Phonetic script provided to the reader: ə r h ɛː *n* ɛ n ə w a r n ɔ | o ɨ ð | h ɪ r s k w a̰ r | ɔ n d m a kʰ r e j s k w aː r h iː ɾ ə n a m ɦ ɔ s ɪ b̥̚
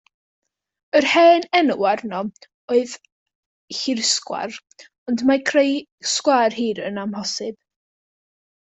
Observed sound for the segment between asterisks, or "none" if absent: n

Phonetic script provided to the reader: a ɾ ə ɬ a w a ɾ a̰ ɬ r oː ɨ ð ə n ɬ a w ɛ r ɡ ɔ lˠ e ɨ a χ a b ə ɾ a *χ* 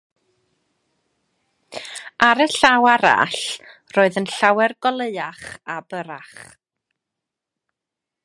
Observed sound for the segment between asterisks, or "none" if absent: χ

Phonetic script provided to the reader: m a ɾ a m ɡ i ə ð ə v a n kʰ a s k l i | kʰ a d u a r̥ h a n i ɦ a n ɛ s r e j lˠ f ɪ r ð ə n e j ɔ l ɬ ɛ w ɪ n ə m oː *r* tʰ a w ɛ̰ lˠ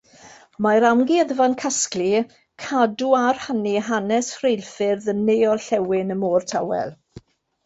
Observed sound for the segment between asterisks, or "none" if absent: r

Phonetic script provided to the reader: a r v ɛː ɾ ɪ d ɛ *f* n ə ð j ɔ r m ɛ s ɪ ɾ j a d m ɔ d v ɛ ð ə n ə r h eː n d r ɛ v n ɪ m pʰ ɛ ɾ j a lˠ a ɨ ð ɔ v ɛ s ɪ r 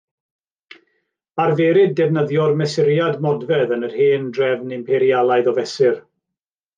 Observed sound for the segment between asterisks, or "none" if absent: v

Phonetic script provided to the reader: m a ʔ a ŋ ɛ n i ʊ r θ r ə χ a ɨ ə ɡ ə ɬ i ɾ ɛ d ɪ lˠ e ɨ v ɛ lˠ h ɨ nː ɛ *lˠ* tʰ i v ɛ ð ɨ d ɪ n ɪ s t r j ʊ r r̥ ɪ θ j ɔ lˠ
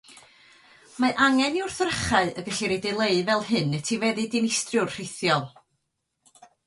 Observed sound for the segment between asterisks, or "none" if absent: none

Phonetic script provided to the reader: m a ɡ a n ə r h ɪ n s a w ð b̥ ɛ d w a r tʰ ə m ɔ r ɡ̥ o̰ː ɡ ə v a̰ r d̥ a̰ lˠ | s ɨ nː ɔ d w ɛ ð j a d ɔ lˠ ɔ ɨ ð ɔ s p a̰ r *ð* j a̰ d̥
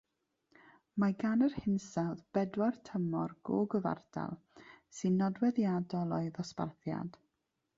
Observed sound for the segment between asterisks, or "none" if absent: θ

